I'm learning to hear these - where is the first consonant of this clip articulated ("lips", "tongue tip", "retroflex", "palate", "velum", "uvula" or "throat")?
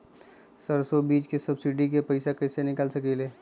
tongue tip